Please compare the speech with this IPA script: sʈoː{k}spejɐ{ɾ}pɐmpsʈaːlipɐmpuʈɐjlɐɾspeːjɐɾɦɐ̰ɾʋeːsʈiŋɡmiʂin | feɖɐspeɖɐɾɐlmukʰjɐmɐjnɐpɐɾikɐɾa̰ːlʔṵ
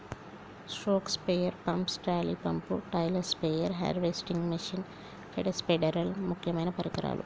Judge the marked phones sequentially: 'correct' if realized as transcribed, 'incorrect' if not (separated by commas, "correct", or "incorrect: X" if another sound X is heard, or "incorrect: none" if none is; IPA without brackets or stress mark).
correct, correct